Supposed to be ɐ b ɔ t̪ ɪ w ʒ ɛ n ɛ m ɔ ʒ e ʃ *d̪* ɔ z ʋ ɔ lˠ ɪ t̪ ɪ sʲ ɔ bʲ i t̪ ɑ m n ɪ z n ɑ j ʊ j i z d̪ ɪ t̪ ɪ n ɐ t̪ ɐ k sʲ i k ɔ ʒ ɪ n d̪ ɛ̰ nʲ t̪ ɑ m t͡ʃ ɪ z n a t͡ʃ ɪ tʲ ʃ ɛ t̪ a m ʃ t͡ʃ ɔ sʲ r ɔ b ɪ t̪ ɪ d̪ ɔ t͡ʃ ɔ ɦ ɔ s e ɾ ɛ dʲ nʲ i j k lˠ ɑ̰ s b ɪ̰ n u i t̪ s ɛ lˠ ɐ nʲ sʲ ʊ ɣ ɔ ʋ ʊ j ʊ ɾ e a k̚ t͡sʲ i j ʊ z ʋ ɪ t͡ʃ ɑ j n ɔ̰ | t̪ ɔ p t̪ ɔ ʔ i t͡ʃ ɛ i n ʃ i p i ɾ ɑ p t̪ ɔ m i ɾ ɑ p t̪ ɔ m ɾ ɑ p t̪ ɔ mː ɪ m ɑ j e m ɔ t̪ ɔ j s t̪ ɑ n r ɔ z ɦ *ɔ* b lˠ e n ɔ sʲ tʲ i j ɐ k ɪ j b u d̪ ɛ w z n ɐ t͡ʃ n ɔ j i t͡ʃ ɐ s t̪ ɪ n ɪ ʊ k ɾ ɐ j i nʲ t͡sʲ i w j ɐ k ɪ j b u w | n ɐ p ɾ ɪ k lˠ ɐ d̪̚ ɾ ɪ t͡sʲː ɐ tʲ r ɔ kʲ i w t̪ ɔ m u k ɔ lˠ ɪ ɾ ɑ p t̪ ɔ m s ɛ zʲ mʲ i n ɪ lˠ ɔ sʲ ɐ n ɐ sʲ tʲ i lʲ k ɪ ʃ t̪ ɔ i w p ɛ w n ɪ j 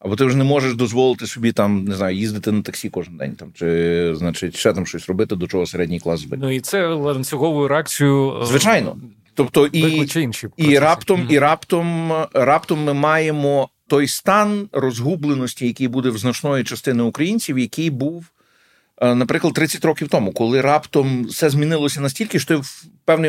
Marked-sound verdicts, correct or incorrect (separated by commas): correct, incorrect